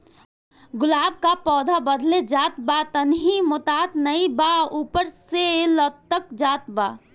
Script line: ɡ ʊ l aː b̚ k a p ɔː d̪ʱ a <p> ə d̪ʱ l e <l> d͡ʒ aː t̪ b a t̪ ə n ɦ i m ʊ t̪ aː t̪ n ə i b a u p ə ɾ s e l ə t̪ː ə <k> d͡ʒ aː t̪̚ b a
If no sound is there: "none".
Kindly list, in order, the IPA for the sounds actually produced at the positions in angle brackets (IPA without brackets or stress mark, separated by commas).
b, none, k